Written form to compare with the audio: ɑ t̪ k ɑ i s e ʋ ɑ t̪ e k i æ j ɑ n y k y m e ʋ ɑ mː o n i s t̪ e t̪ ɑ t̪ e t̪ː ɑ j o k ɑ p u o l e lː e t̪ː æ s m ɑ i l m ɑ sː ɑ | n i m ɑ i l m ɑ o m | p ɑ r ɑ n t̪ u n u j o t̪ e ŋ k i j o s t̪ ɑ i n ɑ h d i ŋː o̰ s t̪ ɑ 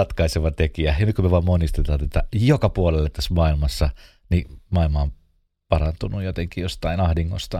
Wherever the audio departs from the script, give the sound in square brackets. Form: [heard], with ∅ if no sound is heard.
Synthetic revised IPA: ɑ t̪ k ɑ i s e ʋ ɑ t̪ e k i æ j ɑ n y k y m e ʋ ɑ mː o n i s t̪ e t̪ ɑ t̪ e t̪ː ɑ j o k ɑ p u o l e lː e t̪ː æ s m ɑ i l m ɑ sː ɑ | n i m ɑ i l m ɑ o m | p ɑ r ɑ n t̪ u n u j o t̪ e ŋ k i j o s t̪ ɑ i n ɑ h d i ŋː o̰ s t̪ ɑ